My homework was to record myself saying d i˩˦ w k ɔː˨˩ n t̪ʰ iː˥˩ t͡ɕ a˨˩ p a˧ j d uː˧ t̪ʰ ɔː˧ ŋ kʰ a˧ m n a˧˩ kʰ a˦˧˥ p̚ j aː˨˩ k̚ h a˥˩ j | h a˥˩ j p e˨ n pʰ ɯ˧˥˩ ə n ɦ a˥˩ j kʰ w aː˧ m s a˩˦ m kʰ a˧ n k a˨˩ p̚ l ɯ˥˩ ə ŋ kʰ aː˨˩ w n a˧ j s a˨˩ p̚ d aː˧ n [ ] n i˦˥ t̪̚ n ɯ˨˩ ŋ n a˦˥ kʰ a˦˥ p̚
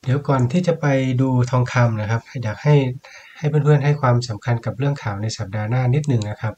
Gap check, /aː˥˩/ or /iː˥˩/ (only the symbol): aː˥˩